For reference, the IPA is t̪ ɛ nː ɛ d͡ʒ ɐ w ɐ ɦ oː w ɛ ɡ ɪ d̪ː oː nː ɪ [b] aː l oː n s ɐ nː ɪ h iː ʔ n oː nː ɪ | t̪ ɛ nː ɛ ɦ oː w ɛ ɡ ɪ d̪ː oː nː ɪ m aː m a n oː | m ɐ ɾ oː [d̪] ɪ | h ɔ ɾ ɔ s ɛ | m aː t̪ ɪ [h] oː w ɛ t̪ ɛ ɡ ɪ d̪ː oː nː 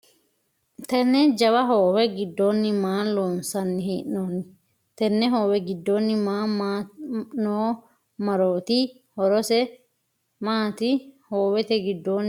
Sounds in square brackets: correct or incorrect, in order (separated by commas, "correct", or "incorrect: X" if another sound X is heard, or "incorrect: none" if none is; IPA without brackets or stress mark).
incorrect: m, incorrect: t̪, correct